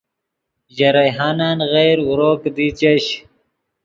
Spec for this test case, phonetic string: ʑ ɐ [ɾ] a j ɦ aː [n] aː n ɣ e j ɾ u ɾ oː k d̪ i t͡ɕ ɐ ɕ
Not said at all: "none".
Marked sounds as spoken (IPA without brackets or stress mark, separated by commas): ɾ, n